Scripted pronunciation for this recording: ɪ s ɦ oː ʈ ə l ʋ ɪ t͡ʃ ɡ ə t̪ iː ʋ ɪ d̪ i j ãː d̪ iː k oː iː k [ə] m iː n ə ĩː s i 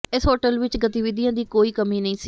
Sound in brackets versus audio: correct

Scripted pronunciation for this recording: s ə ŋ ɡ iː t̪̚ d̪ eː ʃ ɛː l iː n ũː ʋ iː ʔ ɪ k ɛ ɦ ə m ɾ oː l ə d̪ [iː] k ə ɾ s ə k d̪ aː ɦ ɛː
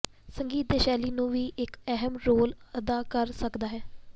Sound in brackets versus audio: incorrect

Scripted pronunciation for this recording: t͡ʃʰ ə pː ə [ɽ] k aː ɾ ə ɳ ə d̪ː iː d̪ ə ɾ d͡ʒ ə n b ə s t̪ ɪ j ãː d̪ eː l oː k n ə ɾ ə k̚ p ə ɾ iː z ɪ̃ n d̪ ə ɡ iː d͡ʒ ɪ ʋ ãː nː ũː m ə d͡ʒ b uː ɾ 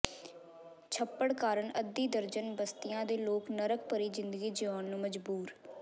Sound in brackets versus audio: correct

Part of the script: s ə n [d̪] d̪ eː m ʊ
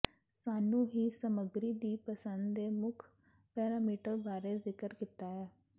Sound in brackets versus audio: correct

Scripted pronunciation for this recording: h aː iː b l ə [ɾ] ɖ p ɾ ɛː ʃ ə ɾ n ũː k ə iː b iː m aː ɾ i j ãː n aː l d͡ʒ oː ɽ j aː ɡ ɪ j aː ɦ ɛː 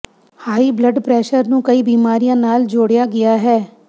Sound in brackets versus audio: incorrect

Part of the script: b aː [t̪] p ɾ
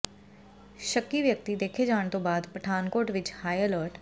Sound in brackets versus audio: incorrect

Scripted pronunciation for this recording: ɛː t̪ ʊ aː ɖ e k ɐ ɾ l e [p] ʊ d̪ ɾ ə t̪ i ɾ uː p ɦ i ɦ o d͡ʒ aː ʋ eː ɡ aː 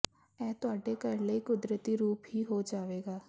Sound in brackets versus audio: incorrect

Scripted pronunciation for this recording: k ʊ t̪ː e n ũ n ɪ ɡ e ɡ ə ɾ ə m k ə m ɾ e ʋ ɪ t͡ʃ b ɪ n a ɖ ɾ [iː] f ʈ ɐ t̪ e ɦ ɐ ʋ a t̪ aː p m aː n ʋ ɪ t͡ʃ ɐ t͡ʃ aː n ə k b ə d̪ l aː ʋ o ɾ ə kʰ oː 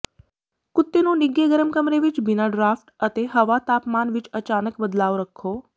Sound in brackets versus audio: incorrect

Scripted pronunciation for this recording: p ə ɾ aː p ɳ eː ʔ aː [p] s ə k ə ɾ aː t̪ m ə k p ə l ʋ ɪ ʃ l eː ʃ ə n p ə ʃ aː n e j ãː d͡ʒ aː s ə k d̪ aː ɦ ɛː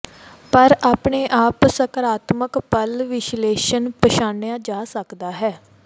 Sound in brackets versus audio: correct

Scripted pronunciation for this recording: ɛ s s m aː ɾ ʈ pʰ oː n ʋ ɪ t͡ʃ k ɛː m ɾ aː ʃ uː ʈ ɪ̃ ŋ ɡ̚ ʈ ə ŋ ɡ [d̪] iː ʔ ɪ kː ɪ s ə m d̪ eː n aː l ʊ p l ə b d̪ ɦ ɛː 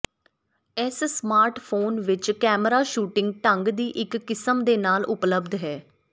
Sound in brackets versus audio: correct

